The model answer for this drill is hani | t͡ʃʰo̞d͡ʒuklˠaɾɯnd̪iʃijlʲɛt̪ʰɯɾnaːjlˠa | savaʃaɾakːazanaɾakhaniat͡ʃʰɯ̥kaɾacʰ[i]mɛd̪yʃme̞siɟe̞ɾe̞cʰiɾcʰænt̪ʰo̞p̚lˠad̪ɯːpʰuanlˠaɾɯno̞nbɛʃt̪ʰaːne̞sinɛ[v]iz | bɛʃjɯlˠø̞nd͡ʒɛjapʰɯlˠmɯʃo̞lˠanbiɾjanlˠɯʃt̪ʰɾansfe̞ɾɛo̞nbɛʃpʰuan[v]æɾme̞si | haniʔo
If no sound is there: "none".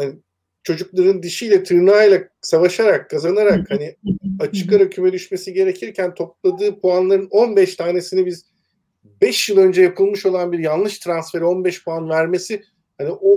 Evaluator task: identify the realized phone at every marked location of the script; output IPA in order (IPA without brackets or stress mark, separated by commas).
y, b, v